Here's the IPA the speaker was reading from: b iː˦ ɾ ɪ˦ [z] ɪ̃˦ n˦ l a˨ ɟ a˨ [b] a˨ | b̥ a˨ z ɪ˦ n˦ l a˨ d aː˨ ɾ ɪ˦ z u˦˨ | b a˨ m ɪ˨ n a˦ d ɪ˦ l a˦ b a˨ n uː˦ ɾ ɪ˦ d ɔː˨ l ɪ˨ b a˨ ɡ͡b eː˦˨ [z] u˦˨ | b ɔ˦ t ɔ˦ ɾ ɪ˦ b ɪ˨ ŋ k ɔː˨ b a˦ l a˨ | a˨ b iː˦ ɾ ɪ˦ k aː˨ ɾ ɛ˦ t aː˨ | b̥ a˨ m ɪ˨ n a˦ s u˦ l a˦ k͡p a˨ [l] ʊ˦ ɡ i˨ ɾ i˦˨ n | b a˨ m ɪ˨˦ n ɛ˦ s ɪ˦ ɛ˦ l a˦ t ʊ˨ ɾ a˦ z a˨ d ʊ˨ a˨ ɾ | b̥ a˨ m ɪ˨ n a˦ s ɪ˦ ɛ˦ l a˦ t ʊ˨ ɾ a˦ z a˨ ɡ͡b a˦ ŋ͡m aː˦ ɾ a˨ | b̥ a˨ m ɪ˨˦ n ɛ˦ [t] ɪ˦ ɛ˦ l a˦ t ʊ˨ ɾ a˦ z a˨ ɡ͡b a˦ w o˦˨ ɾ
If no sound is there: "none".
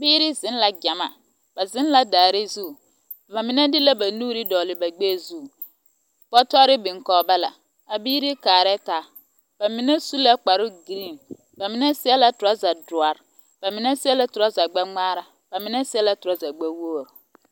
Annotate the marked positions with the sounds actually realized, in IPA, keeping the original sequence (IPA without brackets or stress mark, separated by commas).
z, m, z, ɾ, s